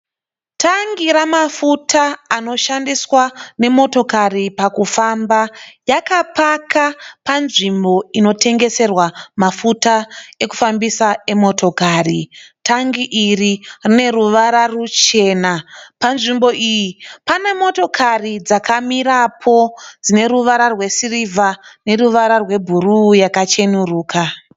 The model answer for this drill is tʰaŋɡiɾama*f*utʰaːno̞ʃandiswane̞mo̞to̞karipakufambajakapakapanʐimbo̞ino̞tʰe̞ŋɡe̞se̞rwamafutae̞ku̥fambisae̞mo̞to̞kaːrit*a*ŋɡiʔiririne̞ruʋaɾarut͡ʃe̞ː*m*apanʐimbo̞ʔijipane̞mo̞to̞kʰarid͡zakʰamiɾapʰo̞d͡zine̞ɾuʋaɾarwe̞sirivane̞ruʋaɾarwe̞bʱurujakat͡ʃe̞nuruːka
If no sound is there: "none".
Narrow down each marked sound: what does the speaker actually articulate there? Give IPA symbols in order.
f, a, n

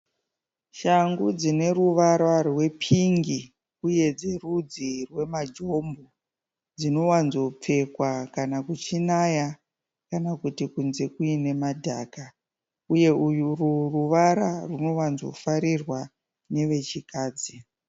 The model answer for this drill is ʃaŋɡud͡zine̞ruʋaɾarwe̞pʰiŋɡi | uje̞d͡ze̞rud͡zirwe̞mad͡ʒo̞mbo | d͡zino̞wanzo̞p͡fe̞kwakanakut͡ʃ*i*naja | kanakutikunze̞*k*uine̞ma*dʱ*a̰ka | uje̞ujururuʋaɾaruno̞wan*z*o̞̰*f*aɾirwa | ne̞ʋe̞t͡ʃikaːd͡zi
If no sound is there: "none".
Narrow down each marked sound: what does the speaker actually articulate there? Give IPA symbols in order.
i, k, dʱ, z, f

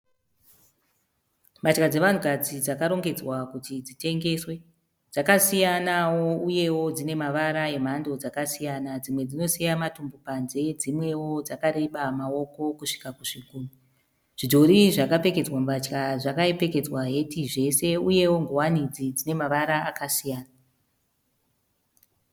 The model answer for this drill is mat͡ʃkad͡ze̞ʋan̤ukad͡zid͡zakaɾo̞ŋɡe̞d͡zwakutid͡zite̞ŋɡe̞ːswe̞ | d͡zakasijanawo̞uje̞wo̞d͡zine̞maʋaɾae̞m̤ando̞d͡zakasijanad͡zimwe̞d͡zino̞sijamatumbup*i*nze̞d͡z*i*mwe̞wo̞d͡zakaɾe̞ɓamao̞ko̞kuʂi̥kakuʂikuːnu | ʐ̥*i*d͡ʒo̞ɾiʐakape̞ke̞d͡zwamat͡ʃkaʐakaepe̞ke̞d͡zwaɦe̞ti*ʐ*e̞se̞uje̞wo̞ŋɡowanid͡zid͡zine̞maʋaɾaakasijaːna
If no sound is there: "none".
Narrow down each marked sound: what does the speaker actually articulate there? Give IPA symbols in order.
a, i, i, ʐ

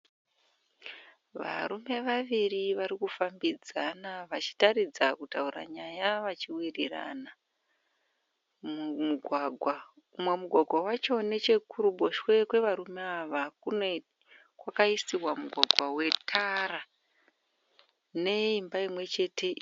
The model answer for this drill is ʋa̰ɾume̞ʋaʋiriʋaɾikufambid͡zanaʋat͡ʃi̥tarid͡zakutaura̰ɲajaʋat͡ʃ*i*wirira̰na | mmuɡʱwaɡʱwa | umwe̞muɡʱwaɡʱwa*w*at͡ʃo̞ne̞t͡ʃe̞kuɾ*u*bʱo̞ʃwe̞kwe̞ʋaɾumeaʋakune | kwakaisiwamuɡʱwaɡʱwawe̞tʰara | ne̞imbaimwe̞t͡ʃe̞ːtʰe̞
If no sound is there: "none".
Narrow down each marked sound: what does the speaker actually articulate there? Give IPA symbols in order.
i, w, u

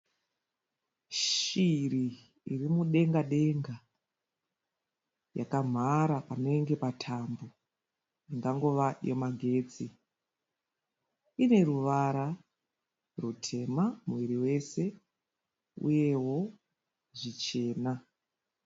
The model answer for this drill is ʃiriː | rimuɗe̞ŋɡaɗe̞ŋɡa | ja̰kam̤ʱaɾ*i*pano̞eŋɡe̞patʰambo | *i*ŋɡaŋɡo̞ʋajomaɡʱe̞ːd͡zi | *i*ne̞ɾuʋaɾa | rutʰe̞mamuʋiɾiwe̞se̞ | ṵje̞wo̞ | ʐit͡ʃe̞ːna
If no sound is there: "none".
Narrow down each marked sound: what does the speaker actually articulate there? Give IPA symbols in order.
a, i, i

